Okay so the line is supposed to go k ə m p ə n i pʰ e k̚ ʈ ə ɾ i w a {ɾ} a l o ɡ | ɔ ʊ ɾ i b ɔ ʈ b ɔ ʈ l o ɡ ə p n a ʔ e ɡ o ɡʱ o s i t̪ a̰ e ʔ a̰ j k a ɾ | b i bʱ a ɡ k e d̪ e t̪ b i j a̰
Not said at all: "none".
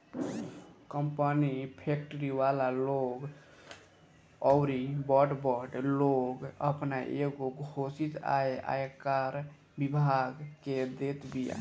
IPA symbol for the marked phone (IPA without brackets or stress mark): l